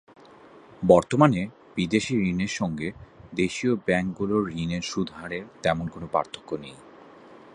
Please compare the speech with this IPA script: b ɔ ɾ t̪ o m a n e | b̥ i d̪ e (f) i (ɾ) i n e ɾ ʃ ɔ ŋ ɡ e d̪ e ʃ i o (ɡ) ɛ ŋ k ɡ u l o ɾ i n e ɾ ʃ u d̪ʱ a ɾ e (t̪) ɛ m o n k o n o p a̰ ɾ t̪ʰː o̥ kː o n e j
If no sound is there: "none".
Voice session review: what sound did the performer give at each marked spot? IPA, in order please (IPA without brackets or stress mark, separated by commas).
ʃ, ɾ, b, t̪